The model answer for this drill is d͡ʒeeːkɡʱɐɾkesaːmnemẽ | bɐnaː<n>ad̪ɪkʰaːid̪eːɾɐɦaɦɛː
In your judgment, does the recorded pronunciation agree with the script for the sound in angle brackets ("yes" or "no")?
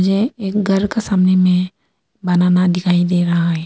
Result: yes